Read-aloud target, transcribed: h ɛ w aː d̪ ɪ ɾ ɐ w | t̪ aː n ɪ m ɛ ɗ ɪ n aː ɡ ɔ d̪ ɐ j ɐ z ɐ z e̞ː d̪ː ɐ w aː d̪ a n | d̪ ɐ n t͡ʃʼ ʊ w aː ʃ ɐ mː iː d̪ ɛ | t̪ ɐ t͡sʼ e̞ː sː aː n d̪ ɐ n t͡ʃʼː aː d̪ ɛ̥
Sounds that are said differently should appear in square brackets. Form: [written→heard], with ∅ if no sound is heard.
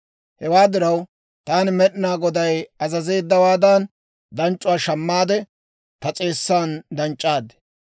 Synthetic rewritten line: h ɛ w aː d̪ ɪ ɾ ɐ w | t̪ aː n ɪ m ɛ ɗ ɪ n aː ɡ ɔ d̪ ɐ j ɐ z ɐ z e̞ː d̪ː ɐ w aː d̪ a n | d̪ ɐ n t͡ʃʼ ʊ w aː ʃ ɐ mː [iː→aː] d̪ ɛ | t̪ ɐ t͡sʼ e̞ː sː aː n d̪ ɐ n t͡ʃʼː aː d̪ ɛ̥

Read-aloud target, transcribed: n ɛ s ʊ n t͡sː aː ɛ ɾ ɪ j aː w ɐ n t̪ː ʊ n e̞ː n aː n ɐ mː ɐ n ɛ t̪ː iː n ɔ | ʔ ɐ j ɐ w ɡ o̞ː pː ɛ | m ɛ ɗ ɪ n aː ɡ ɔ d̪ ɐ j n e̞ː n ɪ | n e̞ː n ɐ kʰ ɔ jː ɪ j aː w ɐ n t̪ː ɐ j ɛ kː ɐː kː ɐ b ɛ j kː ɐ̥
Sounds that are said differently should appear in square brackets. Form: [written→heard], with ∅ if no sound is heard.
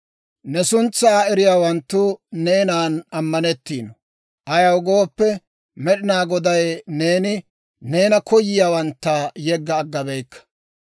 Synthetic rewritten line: n ɛ s ʊ n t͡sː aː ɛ ɾ ɪ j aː w ɐ n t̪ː ʊ n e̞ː n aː n ɐ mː ɐ n ɛ t̪ː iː n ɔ | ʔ ɐ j ɐ w ɡ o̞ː pː ɛ | m ɛ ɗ ɪ n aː ɡ ɔ d̪ ɐ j n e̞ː n ɪ | n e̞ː n ɐ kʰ ɔ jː ɪ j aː w ɐ n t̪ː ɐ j ɛ [kː→ɡː] ɐː [kː→ɡː] ɐ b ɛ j kː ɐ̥

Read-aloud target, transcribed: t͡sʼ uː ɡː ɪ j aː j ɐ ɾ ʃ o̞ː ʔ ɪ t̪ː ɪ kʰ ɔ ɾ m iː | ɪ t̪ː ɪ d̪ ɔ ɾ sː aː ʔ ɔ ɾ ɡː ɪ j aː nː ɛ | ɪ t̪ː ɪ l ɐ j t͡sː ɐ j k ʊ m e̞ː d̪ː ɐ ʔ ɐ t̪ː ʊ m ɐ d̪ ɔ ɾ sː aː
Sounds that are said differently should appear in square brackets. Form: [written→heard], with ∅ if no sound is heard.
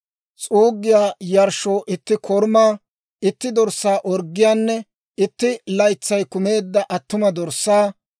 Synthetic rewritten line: t͡sʼ uː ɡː ɪ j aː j ɐ ɾ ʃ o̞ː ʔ ɪ t̪ː ɪ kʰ ɔ ɾ m [iː→aː] | ɪ t̪ː ɪ d̪ ɔ ɾ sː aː ʔ ɔ ɾ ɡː ɪ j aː nː ɛ | ɪ t̪ː ɪ l ɐ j t͡sː ɐ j k ʊ m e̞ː d̪ː ɐ ʔ ɐ t̪ː ʊ m ɐ d̪ ɔ ɾ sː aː

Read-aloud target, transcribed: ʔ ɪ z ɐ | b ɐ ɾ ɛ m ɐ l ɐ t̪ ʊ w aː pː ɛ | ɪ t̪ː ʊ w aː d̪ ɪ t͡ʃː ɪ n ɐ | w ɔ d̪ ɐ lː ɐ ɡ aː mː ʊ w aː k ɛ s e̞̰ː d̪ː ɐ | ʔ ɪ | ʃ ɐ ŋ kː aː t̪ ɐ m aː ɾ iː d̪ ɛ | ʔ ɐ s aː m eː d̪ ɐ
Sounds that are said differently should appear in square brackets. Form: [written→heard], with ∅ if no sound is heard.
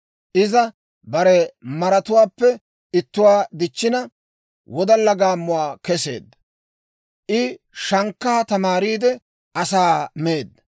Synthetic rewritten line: ʔ ɪ z ɐ | b ɐ ɾ ɛ m ɐ [l→ɾ] ɐ t̪ ʊ w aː pː ɛ | ɪ t̪ː ʊ w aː d̪ ɪ t͡ʃː ɪ n ɐ | w ɔ d̪ ɐ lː ɐ ɡ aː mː ʊ w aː k ɛ s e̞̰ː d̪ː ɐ | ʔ ɪ | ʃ ɐ ŋ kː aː t̪ ɐ m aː ɾ iː d̪ ɛ | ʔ ɐ s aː m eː d̪ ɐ

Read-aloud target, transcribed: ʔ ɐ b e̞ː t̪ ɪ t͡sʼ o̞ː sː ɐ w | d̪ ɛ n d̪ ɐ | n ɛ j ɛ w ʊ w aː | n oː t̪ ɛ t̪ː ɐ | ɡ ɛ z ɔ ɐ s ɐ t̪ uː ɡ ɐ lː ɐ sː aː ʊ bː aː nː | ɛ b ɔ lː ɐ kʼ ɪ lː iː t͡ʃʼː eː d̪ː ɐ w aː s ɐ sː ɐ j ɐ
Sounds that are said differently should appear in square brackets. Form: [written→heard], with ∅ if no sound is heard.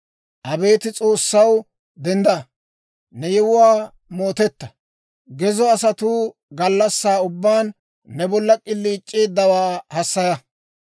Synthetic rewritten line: ʔ ɐ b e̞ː t̪ ɪ t͡sʼ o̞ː sː ɐ w | d̪ ɛ n d̪ ɐ | n ɛ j ɛ w ʊ w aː | [n→m] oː t̪ ɛ t̪ː ɐ | ɡ ɛ z ɔ ɐ s ɐ t̪ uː ɡ ɐ lː ɐ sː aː ʊ bː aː nː | ɛ b ɔ lː ɐ kʼ ɪ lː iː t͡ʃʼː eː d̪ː ɐ w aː [s→h] ɐ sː ɐ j ɐ

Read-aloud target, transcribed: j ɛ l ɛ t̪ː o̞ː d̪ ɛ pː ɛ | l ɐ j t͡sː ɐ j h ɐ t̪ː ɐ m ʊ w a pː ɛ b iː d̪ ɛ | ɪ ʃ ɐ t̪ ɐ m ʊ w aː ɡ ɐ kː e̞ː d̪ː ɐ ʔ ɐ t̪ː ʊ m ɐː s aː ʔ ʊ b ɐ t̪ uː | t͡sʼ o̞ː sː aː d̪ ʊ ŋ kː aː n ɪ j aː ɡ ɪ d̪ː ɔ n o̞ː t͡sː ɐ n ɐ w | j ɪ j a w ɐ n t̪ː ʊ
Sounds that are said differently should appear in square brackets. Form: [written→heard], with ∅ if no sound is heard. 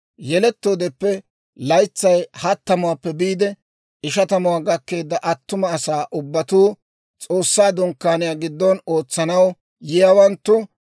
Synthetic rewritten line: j ɛ l ɛ t̪ː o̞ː d̪ ɛ pː ɛ | l ɐ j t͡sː ɐ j h ɐ t̪ː ɐ m ʊ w a pː ɛ b iː d̪ ɛ | ɪ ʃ ɐ t̪ ɐ m ʊ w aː ɡ ɐ kː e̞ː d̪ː ɐ ʔ ɐ t̪ː ʊ m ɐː s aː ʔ ʊ [b→bː] ɐ t̪ uː | t͡sʼ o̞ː sː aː d̪ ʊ ŋ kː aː n ɪ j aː ɡ ɪ d̪ː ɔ n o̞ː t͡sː ɐ n ɐ w | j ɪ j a w ɐ n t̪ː ʊ

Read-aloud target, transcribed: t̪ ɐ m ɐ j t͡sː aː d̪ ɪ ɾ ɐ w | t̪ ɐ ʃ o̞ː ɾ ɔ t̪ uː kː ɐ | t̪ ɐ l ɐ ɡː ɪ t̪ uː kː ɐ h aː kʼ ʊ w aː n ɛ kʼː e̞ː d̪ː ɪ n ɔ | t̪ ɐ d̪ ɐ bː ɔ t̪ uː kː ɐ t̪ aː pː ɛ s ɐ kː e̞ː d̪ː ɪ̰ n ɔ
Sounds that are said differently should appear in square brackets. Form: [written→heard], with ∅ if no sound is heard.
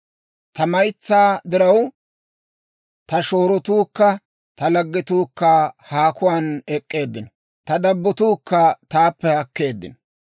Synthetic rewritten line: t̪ ɐ m ɐ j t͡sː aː d̪ ɪ ɾ ɐ w | t̪ ɐ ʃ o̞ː ɾ ɔ t̪ uː kː ɐ | t̪ ɐ l ɐ ɡː ɪ t̪ uː kː ɐ h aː [kʼ→k] ʊ w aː n ɛ kʼː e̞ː d̪ː ɪ n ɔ | t̪ ɐ d̪ ɐ bː ɔ t̪ uː kː ɐ t̪ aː pː ɛ [s→h] ɐ kː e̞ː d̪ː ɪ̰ n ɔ

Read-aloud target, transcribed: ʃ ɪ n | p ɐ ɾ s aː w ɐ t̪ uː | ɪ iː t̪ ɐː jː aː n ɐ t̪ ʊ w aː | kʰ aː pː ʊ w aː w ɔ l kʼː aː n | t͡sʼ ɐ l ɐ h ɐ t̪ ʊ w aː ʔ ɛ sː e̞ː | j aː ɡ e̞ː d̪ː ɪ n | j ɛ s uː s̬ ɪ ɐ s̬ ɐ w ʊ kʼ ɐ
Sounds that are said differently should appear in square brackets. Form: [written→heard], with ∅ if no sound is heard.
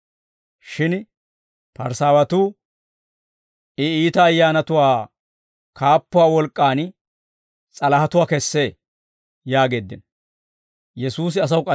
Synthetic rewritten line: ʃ ɪ n | p ɐ ɾ s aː w ɐ t̪ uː | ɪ iː t̪ ɐː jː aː n ɐ t̪ ʊ w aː | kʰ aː pː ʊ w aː w ɔ l kʼː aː n | t͡sʼ ɐ l ɐ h ɐ t̪ ʊ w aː [ʔ→k] ɛ sː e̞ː | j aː ɡ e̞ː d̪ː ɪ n | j ɛ s uː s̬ ɪ ɐ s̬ ɐ w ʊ kʼ ɐ

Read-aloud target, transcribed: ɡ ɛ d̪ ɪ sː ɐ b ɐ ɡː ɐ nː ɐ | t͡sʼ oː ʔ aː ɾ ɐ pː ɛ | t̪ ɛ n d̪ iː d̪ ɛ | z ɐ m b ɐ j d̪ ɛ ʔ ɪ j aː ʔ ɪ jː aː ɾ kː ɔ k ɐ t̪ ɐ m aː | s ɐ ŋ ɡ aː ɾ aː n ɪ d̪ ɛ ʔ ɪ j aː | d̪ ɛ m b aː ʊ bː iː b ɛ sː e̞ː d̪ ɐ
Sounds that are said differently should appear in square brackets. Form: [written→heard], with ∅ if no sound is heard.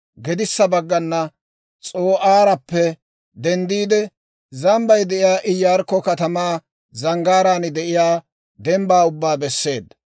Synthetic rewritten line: ɡ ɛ d̪ ɪ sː ɐ b ɐ ɡː ɐ nː ɐ | t͡sʼ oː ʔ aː ɾ ɐ pː ɛ | [t̪→d̪] ɛ n d̪ iː d̪ ɛ | z ɐ m b ɐ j d̪ ɛ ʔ ɪ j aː ʔ ɪ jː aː ɾ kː ɔ k ɐ t̪ ɐ m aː | [s→z] ɐ ŋ ɡ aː ɾ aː n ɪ d̪ ɛ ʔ ɪ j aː | d̪ ɛ m b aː ʊ bː [iː→aː] b ɛ sː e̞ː d̪ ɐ

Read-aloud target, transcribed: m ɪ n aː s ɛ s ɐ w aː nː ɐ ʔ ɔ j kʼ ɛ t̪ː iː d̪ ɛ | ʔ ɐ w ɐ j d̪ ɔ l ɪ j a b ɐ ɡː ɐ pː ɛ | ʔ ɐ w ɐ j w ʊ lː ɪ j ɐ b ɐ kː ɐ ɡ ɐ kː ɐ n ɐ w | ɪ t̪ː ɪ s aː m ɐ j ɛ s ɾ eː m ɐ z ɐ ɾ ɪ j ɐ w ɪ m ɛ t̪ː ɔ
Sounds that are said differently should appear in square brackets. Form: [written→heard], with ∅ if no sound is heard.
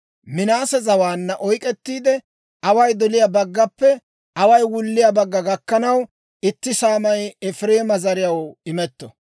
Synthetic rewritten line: m ɪ n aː s ɛ [s→z] ɐ w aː nː ɐ ʔ ɔ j kʼ ɛ t̪ː iː d̪ ɛ | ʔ ɐ w ɐ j d̪ ɔ l ɪ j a b ɐ ɡː ɐ pː ɛ | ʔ ɐ w ɐ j w ʊ lː ɪ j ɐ b ɐ [kː→ɡː] ɐ ɡ ɐ kː ɐ n ɐ w | ɪ t̪ː ɪ s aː m ɐ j ɛ [s→f] ɾ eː m ɐ z ɐ ɾ ɪ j ɐ w ɪ m ɛ t̪ː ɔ

